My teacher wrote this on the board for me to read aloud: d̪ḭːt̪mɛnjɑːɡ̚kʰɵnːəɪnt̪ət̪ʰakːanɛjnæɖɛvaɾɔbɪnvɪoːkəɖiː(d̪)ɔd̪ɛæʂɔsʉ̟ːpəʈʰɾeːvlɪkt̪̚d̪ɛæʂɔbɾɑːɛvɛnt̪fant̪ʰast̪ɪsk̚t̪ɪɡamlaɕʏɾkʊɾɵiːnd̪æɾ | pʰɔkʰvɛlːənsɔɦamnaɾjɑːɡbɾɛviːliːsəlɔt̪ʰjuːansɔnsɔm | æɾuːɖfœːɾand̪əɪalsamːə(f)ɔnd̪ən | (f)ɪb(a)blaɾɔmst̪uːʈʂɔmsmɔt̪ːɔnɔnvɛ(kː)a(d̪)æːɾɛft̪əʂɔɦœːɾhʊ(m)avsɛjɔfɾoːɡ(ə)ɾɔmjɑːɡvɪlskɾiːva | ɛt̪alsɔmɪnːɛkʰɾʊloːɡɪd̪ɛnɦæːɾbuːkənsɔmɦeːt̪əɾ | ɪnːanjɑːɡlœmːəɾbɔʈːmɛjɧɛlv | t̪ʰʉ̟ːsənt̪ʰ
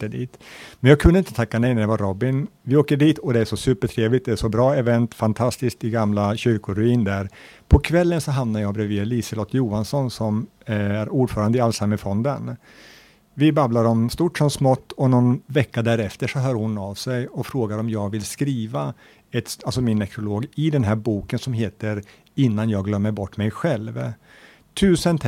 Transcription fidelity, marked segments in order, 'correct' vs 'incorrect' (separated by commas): incorrect, correct, incorrect, correct, correct, correct, incorrect, incorrect